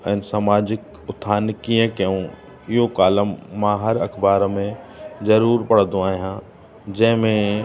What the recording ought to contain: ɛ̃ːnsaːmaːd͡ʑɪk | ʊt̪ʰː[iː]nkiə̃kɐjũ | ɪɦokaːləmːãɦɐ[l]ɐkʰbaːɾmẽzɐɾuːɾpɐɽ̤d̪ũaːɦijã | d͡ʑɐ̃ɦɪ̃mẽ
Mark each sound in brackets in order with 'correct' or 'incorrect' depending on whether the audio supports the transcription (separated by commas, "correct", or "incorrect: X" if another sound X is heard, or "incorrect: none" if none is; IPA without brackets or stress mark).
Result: incorrect: aː, incorrect: ɾ